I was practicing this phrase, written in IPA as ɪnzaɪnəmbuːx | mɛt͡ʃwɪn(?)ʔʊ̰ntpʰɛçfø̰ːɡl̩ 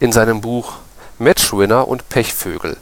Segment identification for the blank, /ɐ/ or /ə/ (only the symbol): ɐ